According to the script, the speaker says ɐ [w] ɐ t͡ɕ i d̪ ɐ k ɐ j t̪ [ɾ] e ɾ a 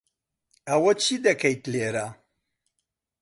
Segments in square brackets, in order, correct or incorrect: correct, incorrect

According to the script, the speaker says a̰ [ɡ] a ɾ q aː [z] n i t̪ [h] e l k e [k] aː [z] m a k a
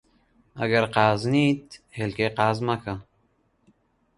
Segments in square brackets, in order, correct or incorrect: correct, correct, correct, incorrect, correct

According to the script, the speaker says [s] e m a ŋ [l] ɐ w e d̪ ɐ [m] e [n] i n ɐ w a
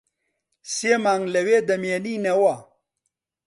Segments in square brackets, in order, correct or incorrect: correct, correct, correct, correct

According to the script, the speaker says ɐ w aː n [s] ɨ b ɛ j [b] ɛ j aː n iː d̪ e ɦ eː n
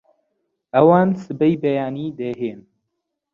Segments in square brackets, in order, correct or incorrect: correct, correct

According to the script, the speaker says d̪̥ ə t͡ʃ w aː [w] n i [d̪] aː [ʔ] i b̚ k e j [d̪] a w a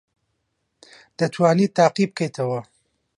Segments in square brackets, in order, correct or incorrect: incorrect, incorrect, incorrect, incorrect

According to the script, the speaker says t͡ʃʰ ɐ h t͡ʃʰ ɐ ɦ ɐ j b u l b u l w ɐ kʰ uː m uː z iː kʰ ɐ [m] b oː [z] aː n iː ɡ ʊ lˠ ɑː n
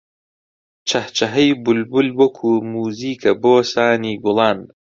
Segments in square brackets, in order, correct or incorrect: incorrect, incorrect

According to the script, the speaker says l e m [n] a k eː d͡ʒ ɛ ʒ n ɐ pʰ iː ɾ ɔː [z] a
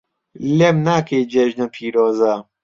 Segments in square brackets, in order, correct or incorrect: correct, correct

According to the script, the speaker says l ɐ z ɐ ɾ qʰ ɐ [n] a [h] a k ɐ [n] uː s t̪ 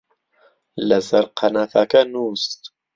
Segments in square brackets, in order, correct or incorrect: correct, incorrect, correct

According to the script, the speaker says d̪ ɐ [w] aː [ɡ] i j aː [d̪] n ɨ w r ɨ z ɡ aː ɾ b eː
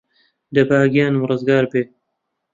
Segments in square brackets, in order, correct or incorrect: incorrect, correct, incorrect

